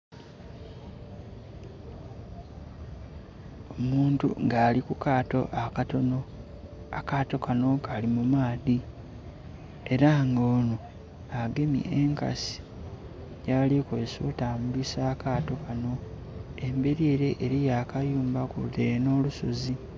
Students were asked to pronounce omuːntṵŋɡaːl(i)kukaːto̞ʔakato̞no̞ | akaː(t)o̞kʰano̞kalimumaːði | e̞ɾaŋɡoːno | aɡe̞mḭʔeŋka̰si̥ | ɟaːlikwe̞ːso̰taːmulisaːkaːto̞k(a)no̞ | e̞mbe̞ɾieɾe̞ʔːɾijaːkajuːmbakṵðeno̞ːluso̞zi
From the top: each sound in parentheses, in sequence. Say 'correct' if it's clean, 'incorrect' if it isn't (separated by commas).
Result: correct, correct, correct